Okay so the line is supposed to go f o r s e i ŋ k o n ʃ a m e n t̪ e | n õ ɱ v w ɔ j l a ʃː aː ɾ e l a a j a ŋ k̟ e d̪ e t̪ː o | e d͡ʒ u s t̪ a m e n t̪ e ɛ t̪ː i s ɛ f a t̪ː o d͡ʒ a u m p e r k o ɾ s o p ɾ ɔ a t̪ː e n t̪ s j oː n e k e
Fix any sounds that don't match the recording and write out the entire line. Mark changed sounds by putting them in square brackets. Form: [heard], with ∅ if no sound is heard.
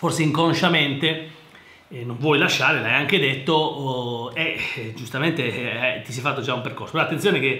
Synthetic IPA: f o r s e i ŋ k o n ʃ a m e n t̪ e | n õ ɱ v w ɔ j l a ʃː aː ɾ e l a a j a ŋ k̟ e d̪ e t̪ː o | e d͡ʒ u s t̪ a m e n t̪ e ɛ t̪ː i s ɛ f a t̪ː o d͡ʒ a u m p e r k o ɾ s o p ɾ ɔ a t̪ː e n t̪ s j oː n e k e